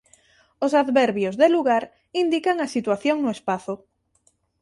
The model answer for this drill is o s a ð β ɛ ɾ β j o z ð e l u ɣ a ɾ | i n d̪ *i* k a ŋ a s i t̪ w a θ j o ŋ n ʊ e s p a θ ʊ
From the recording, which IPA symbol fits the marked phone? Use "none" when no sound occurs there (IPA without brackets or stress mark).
i